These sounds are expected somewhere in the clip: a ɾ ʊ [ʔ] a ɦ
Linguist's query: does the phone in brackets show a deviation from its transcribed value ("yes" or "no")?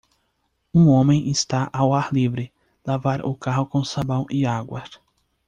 yes